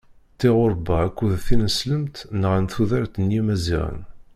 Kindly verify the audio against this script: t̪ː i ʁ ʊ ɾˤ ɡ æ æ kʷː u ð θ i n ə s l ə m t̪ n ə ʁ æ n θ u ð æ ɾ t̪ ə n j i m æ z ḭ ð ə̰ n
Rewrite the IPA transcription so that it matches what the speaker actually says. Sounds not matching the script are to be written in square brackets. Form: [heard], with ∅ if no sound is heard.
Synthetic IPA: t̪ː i ʁ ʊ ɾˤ [b] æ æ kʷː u ð θ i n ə s l ə m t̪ n ə ʁ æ n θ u ð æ ɾ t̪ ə n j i m æ z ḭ [ʁ] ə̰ n